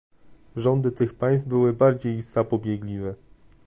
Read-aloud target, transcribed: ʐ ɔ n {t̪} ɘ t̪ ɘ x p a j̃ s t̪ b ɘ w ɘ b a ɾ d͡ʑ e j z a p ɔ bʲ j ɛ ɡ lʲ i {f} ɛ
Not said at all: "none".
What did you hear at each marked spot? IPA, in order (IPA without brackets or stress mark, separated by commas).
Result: d̪, v